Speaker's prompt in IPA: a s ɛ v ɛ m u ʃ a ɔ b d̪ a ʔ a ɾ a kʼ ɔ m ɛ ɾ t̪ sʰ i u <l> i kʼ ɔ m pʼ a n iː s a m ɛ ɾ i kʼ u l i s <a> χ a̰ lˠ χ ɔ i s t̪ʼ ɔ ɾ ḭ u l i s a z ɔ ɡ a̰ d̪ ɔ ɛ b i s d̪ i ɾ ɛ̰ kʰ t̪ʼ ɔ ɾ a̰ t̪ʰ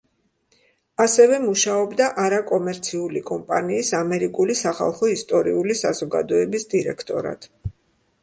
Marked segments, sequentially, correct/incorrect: correct, correct

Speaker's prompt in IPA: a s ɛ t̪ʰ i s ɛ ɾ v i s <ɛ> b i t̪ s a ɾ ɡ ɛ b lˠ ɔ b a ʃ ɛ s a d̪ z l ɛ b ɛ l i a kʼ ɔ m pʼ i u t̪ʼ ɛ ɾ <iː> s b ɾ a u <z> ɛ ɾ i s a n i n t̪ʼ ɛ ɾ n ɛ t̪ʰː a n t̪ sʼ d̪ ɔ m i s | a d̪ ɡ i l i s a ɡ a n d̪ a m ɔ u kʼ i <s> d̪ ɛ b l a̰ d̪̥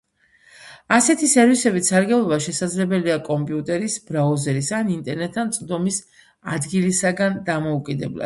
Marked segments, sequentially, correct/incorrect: correct, incorrect: i, correct, incorrect: none

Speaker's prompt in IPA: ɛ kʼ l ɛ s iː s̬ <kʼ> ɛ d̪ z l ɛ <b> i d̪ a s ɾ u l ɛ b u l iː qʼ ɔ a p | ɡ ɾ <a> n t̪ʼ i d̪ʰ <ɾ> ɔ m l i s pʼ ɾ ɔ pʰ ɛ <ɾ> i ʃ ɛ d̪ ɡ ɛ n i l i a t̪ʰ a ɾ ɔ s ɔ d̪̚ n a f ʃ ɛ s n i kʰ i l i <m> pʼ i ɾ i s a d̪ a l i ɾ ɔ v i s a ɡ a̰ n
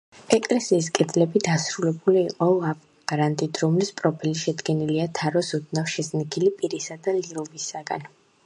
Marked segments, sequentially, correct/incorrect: correct, correct, correct, correct, incorrect: l, incorrect: none

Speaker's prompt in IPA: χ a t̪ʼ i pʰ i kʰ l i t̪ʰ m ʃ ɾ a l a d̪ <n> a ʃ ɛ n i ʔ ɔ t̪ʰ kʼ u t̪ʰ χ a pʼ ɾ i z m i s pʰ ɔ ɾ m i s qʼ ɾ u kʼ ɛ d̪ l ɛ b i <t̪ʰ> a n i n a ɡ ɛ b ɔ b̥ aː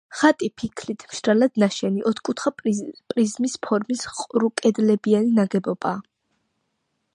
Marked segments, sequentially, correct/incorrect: correct, incorrect: none

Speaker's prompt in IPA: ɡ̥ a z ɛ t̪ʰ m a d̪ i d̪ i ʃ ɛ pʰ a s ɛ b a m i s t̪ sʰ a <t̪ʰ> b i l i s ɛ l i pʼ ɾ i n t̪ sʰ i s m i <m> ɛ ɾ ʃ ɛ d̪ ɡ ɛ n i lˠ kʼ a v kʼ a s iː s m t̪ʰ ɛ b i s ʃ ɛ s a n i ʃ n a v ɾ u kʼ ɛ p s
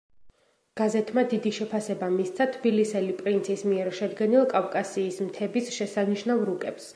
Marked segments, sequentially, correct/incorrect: correct, incorrect: none

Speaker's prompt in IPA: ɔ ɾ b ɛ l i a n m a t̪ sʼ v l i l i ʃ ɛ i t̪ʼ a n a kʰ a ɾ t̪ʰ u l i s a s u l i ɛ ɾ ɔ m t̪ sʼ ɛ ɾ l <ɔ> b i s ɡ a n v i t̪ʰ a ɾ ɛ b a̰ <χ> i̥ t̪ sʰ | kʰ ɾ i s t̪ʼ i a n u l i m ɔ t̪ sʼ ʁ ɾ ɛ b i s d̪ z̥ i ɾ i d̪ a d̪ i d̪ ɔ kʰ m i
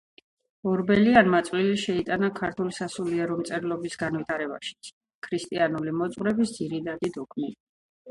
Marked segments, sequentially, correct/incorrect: correct, incorrect: ʃ

